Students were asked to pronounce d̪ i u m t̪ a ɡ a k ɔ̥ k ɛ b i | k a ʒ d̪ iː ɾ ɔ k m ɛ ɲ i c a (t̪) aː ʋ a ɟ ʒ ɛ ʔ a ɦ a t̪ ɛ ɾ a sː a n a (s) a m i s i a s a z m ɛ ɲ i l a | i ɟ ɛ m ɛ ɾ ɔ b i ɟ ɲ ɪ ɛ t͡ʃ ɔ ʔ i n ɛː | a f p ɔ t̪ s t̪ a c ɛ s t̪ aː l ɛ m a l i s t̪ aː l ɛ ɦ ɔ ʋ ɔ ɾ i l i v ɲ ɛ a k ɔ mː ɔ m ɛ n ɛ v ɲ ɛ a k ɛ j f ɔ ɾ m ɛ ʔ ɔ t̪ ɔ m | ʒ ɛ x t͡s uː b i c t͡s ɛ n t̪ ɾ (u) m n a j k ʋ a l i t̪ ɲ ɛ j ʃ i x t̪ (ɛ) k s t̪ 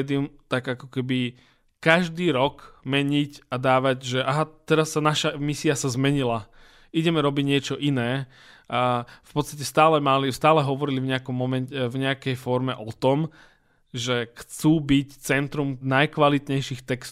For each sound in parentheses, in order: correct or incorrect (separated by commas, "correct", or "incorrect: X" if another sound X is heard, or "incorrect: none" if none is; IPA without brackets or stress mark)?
incorrect: d̪, incorrect: ʃ, correct, correct